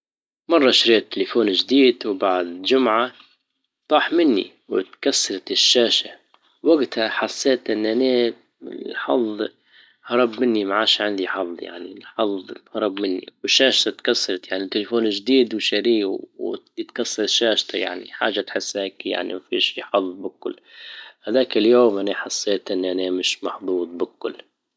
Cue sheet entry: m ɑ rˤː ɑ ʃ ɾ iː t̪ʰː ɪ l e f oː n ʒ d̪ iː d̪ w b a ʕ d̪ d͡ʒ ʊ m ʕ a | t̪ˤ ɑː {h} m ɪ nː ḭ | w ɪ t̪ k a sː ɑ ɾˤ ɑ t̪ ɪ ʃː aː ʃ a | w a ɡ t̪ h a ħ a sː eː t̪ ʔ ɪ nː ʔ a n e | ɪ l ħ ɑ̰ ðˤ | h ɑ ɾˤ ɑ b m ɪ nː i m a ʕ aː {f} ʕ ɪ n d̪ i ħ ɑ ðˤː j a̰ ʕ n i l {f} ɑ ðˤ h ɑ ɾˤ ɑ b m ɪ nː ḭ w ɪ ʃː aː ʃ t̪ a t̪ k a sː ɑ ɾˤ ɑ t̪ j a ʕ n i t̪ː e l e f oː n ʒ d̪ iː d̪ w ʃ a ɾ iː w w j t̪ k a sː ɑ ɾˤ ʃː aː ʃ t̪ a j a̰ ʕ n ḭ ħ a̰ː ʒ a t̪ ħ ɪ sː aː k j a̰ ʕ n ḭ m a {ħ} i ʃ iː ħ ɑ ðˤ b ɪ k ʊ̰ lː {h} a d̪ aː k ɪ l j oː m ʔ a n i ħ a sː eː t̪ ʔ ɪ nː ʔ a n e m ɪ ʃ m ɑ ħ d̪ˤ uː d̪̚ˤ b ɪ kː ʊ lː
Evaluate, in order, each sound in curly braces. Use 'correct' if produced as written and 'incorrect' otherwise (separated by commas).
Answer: incorrect, incorrect, incorrect, incorrect, correct